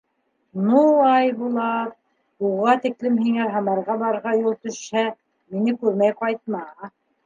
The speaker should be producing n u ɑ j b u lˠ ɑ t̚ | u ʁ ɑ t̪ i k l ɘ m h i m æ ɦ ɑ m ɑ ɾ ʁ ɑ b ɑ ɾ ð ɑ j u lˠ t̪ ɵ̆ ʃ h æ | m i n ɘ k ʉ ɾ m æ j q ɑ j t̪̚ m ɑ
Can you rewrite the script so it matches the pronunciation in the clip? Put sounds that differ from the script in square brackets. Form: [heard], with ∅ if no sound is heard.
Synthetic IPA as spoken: n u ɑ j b u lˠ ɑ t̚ | u ʁ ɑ t̪ i k l ɘ m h i [ŋ] æ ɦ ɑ m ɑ ɾ ʁ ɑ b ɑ ɾ [ʁ] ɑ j u lˠ t̪ ɵ̆ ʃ h æ | m i n ɘ k ʉ ɾ m æ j q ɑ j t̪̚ m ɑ